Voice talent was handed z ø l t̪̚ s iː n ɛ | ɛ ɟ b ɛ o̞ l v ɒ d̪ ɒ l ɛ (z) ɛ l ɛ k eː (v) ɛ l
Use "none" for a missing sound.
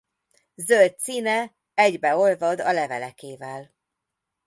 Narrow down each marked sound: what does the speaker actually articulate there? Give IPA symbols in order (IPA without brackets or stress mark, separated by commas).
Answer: v, v